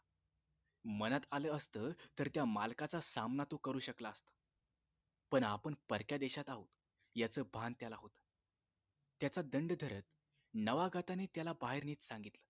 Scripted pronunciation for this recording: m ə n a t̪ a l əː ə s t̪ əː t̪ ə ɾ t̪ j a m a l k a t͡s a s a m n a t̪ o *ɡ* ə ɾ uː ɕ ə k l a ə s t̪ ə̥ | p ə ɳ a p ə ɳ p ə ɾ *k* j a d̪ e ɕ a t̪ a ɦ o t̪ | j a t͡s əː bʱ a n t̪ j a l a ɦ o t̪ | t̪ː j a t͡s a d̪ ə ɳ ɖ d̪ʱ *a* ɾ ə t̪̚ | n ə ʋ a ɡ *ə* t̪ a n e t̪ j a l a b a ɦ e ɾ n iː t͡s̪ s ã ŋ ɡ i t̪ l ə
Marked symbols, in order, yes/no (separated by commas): no, yes, no, no